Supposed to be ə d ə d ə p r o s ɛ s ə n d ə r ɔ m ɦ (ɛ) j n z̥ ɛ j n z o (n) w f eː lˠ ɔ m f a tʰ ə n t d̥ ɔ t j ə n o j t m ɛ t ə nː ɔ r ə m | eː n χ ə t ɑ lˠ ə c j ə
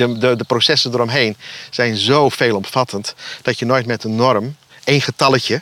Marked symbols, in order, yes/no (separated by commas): no, no